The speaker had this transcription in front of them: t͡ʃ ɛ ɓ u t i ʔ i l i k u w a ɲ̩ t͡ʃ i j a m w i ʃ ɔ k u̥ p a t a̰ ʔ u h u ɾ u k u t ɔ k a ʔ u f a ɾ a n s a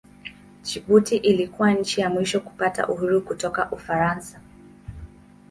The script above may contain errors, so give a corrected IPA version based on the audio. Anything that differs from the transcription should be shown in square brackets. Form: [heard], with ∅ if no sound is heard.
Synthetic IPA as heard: t͡ʃ [i] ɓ u t i ʔ i l i k u w a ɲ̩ t͡ʃ i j a m w i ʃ ɔ k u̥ p a t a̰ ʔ u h u ɾ u k u t ɔ k a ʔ u f a ɾ a n s a